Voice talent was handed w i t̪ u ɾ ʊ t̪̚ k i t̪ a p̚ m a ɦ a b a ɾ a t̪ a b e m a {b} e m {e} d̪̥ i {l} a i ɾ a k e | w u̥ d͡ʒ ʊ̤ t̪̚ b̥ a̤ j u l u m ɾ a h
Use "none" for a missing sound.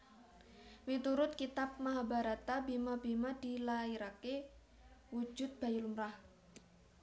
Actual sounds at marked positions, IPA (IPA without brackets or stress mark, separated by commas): b, a, l